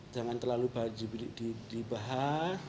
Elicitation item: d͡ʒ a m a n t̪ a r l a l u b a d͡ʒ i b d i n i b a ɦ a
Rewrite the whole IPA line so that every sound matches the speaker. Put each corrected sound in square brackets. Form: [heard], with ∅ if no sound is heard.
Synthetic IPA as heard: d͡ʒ a m a n t̪ [ə] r l a l u b a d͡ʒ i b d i [d] i b a ɦ a